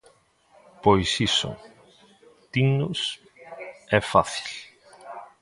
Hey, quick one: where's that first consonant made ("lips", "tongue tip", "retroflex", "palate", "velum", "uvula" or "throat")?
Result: lips